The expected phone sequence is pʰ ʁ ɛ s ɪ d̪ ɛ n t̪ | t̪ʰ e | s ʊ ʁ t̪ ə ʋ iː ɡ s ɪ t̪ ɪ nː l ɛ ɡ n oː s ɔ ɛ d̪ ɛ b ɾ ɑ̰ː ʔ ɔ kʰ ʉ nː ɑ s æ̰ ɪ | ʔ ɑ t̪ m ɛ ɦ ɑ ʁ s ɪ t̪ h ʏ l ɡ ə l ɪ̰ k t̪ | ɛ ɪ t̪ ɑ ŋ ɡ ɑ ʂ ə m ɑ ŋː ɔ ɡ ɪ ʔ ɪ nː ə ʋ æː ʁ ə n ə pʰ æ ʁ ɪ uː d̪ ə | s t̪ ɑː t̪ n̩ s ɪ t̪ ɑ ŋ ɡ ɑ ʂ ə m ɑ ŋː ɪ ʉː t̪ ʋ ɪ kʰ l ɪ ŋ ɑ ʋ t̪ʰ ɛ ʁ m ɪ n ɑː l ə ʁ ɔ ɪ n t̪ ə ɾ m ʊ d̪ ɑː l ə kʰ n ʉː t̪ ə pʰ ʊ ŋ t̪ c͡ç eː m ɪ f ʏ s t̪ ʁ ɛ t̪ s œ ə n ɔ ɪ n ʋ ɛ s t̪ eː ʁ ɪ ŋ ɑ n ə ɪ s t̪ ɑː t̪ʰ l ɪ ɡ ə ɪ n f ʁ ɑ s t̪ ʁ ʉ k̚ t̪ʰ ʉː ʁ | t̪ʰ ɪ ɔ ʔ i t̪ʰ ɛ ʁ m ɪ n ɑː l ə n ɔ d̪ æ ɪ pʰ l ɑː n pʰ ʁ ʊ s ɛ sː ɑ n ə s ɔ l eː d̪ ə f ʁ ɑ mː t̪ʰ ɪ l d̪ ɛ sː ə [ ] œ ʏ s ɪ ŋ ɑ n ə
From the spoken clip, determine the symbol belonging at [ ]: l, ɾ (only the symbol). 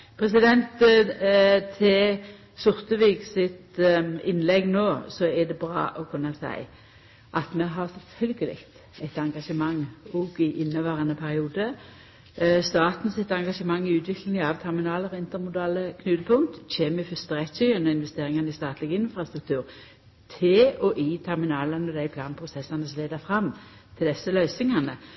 l